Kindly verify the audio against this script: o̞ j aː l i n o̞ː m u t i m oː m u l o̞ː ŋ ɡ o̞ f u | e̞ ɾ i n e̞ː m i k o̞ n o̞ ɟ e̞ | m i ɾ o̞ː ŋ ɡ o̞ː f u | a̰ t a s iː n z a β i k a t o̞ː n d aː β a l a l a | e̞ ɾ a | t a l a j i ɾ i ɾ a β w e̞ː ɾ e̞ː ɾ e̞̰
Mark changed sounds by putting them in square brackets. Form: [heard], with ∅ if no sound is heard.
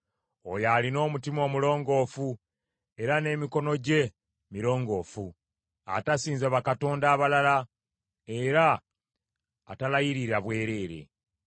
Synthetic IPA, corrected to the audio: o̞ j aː l i n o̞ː m u t i m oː m u l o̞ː ŋ ɡ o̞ f u | e̞ ɾ [a] n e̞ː m i k o̞ n o̞ ɟ e̞ | m i ɾ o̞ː ŋ ɡ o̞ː f u | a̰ t a s iː n z a β [a] k a t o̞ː n d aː β a l a l a | e̞ ɾ a | t a l a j i ɾ i ɾ a β w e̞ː ɾ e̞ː ɾ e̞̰

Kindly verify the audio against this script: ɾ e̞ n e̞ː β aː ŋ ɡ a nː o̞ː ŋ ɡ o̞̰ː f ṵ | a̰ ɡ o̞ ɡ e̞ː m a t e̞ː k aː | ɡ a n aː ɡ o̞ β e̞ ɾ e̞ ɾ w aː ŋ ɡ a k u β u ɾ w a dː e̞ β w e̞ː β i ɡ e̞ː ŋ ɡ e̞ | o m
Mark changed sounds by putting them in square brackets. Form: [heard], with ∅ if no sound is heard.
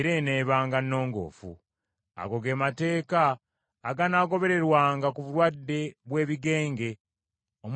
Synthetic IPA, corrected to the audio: ɾ e̞ n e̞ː β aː ŋ ɡ a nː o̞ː ŋ ɡ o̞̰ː f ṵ | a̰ ɡ o̞ ɡ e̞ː m a t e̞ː k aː | ɡ a n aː ɡ o̞ β e̞ ɾ e̞ ɾ w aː ŋ ɡ a k u β u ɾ w a dː e̞ β w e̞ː β i ɡ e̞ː ŋ ɡ e̞ | o m

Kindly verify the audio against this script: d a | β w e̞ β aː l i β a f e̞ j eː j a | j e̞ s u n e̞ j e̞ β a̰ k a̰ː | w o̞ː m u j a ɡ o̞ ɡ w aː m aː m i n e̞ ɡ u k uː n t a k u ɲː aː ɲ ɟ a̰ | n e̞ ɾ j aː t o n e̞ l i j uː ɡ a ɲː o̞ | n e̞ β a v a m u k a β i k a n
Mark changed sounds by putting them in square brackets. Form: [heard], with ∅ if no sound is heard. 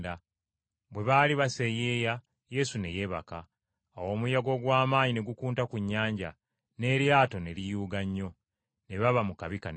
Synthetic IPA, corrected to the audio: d a | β w e̞ β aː l i β a [s] e̞ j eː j a | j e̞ s u n e̞ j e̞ β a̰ k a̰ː | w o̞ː m u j a ɡ o̞ ɡ w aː m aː [ɲ] i n e̞ ɡ u k uː n t a k u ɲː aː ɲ ɟ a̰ | n e̞ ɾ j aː t o n e̞ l i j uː ɡ a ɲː o̞ | n e̞ β a [β] a m u k a β i k a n

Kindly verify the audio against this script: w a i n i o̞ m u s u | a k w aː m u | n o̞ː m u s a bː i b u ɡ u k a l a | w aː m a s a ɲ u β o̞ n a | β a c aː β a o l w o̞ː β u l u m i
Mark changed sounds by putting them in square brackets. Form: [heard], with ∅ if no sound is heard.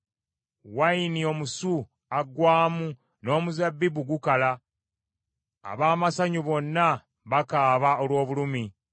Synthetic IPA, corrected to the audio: w a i n i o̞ m u s u | a [ɡ] w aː m u | n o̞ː m u [z] a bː i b u ɡ u k a l a | [β] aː m a s a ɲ u β o̞ [nː] a | β a [k] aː β a o l w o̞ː β u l u m i

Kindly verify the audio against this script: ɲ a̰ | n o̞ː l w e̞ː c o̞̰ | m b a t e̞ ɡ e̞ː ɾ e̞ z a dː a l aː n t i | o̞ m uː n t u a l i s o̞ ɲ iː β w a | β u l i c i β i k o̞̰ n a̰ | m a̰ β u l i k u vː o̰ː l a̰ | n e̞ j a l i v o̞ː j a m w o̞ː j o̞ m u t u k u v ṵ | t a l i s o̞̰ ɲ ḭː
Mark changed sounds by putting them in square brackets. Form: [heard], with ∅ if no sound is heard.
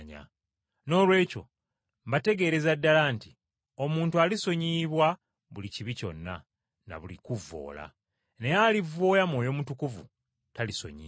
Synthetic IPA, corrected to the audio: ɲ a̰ | n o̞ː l w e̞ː c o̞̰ | m b a t e̞ ɡ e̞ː ɾ e̞ z a dː a l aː n t i | o̞ m uː n t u a l i s o̞ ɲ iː β w a | β u l i c i β i [c] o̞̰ [nː] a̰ | [n] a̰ β u l i k u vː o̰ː l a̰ | n e̞ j a l i v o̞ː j a m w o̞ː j o̞ m u t u k u v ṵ | t a l i s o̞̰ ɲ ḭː

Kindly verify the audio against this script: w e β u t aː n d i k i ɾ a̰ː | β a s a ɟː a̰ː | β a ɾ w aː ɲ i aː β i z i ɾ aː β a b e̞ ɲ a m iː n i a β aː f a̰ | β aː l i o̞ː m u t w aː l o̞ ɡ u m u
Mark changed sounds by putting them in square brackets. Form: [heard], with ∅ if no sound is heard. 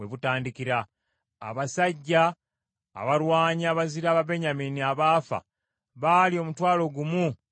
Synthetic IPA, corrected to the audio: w e β u t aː n d i k i ɾ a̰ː | β a s a ɟː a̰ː | β a ɾ w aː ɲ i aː β [a] z i ɾ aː β a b e̞ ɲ a m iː n i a β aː f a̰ | β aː l i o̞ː m u t w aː l o̞ ɡ u m u

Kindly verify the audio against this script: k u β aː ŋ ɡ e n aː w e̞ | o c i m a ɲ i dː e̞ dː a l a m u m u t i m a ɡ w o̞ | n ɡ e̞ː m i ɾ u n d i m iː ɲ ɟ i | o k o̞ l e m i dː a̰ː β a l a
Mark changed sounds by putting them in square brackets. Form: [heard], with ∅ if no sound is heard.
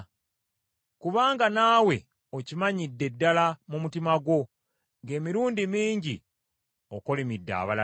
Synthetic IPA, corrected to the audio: k u β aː ŋ ɡ [a] n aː w e̞ | o c i m a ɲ i dː e̞ dː a l a m u m u t i m a ɡ w o̞ | [ŋ] ɡ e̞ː m i ɾ [uː] n d i m iː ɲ ɟ i | o k o̞ l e m i dː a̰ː β a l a

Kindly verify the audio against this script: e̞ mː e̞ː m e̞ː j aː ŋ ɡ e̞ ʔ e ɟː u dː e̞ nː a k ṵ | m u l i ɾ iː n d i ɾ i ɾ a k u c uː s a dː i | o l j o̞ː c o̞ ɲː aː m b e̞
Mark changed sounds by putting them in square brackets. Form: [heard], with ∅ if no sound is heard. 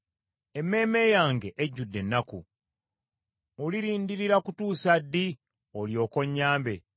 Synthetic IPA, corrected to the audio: e̞ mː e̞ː m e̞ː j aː ŋ ɡ e̞ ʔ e ɟː u dː e̞ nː a k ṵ | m u l i ɾ iː n d i ɾ i ɾ a k u [t] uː s a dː i | o l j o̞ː [k] o̞ ɲː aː m b e̞

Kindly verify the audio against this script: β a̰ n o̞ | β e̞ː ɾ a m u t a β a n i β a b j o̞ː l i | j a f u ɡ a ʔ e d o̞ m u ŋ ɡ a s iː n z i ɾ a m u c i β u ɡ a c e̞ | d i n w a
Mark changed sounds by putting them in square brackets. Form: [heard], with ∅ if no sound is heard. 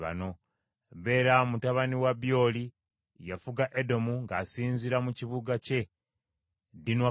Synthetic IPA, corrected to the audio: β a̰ n o̞ | β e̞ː ɾ a m u t a β a n i [w] a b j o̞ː l i | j a f u ɡ a ʔ e d o̞ m u ŋ ɡ a s iː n z i ɾ a m u c i β u ɡ a c e̞ | d i n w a

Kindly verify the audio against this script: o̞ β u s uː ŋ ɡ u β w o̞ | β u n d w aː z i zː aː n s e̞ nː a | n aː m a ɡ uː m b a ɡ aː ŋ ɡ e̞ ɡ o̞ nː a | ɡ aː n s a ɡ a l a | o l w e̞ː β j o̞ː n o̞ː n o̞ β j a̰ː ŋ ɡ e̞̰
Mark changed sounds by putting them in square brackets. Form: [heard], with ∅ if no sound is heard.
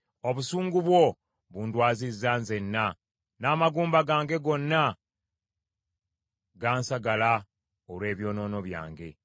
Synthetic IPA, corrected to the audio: o̞ β u s uː ŋ ɡ u β w o̞ | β u n d w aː z i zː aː n [z] e̞ nː a | n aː m a ɡ uː m b a ɡ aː ŋ ɡ e̞ ɡ o̞ nː a | ɡ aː n s a ɡ a l a | o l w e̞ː β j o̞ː n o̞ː n o̞ β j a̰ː ŋ ɡ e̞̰

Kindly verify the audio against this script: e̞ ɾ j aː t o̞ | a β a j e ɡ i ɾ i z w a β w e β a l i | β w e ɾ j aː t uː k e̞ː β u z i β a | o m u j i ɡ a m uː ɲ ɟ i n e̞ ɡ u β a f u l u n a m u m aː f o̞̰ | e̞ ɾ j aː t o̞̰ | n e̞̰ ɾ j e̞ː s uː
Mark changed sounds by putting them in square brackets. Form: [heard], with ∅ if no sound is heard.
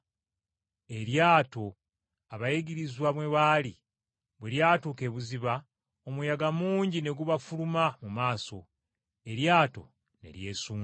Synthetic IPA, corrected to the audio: e̞ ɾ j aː t o̞ | a β a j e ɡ i ɾ i z w a β w e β a l i | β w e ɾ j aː t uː k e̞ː β u z i β a | o m u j [a] ɡ a m uː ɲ ɟ i n e̞ ɡ u β a f u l u [m] a m u m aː [s] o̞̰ | e̞ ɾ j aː t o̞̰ | n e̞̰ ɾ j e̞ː s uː

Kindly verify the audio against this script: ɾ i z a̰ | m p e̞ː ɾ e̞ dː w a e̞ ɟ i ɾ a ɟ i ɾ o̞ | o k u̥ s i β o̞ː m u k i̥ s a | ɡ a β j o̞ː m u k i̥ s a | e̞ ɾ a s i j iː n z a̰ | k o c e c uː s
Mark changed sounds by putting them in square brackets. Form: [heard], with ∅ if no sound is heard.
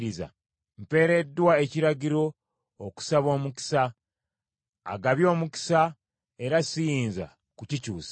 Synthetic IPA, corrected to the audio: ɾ i z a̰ | m p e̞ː ɾ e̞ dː w a e̞ [c] i ɾ a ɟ i ɾ o̞ | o k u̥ s [a] β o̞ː m u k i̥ s a | ɡ a β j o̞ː m u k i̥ s a | e̞ ɾ a s i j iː n z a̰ | k [u] c [i] c uː s

